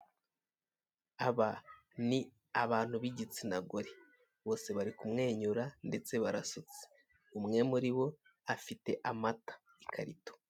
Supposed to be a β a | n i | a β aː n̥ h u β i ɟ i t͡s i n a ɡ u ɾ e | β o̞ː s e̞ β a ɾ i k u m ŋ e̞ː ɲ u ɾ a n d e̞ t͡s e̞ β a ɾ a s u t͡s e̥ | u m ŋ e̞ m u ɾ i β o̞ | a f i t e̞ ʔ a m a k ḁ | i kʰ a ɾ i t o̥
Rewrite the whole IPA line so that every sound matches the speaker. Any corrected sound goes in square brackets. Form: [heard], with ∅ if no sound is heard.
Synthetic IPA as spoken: a β a | n i | a β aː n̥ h u β i ɟ i t͡s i n a ɡ [o] ɾ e | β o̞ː s e̞ β a ɾ i k u m ŋ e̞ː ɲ u ɾ a n d e̞ t͡s e̞ β a ɾ a s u t͡s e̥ | u m ŋ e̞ m u ɾ i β o̞ | a f i t e̞ ʔ a m a [t] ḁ | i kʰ a ɾ i t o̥